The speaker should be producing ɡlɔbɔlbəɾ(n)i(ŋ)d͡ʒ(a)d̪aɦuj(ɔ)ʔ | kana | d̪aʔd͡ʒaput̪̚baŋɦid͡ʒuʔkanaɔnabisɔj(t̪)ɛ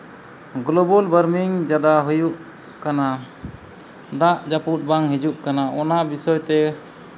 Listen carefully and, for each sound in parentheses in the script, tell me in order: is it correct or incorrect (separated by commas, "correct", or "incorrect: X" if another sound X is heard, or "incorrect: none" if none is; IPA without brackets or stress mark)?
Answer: incorrect: m, correct, correct, incorrect: u, correct